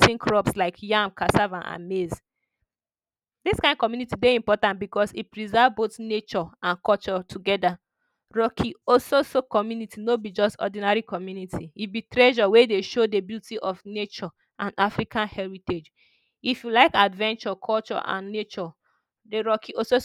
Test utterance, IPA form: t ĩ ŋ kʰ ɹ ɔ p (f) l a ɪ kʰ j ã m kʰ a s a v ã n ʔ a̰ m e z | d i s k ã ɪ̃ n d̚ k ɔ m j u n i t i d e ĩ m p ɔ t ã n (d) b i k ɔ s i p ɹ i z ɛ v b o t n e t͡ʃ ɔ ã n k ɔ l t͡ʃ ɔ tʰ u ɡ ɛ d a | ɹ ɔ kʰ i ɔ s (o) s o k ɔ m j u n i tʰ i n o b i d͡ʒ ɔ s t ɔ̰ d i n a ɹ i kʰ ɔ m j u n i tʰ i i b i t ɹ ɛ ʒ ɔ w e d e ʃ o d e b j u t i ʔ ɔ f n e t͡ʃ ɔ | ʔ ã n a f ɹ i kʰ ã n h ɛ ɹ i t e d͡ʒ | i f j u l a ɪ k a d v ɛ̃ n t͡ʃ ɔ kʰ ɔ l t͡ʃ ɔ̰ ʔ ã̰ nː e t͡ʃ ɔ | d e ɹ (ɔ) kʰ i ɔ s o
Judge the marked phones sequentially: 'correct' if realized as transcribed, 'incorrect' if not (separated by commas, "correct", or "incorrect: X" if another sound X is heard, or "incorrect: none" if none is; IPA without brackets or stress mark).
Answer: incorrect: s, incorrect: t, correct, correct